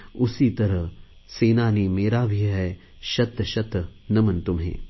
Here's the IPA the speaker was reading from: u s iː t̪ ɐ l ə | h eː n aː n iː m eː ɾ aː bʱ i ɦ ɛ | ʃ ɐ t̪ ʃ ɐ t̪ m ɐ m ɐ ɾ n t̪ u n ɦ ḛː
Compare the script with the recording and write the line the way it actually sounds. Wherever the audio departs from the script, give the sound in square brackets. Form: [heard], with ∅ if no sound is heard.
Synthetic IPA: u s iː t̪ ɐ [ɾ] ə | [s] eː n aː n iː m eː ɾ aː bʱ i ɦ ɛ | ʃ ɐ t̪ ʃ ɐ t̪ [n] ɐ m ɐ [∅] n t̪ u [m] ɦ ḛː